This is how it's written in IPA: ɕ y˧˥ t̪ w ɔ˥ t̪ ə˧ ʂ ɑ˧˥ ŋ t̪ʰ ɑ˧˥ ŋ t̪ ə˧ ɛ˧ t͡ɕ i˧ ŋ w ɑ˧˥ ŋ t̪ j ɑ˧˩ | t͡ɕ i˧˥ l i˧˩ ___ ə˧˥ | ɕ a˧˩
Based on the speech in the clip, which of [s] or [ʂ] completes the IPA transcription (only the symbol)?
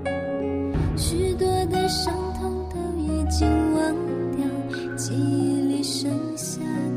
ʂ